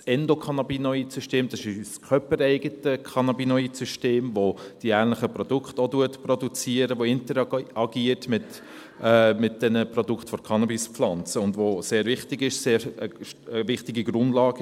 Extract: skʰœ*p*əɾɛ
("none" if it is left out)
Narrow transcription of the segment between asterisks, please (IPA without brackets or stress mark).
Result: p